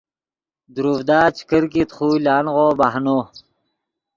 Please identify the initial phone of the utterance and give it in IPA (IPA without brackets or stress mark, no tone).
d̪